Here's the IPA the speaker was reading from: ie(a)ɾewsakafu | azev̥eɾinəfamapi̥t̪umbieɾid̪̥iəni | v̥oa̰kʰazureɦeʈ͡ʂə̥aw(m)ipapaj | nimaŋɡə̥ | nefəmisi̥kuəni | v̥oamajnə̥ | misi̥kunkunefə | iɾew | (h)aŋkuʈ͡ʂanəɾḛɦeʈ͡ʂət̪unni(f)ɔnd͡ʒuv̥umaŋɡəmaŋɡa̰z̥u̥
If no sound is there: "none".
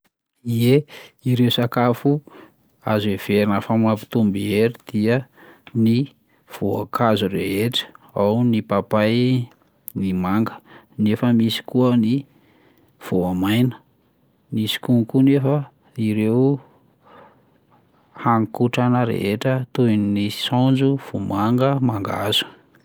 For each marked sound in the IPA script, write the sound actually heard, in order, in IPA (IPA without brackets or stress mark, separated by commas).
i, n, h, s